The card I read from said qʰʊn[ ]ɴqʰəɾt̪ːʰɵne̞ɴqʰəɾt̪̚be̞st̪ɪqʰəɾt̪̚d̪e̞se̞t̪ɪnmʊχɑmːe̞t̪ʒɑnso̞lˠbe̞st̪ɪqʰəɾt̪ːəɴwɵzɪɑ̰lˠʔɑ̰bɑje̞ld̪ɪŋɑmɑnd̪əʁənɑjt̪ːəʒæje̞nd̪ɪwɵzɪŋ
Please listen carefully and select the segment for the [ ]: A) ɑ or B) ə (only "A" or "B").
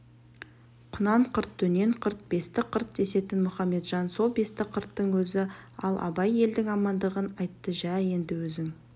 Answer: A